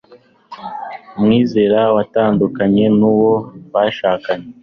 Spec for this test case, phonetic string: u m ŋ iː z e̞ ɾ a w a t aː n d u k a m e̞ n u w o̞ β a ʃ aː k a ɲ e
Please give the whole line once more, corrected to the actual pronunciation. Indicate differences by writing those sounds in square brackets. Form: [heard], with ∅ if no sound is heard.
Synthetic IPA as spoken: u m ŋ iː z e̞ ɾ a w a t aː n d u k a [ɲ] e̞ n u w o̞ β a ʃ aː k a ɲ e